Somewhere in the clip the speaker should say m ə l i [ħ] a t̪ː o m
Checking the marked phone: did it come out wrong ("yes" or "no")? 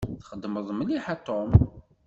no